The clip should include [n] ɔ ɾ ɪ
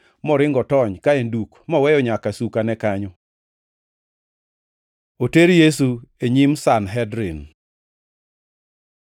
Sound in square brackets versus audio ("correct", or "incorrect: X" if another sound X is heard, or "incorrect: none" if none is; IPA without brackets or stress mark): incorrect: m